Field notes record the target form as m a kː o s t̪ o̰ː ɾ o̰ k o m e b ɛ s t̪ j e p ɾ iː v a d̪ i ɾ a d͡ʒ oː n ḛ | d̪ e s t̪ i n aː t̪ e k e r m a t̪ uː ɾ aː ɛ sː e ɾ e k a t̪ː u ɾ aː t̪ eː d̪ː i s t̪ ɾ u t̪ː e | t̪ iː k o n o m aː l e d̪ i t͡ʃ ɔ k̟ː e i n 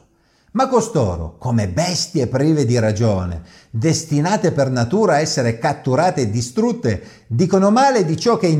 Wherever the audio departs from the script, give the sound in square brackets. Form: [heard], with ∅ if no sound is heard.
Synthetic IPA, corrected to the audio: m a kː o s t̪ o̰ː ɾ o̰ k o m e b ɛ s t̪ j e p ɾ iː v [e] d̪ i ɾ a d͡ʒ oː n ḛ | d̪ e s t̪ i n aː t̪ e [p] e r [n] a t̪ uː ɾ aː ɛ sː e ɾ e k a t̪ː u ɾ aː t̪ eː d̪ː i s t̪ ɾ u t̪ː e | [d̪] iː k o n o m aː l e d̪ i t͡ʃ ɔ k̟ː e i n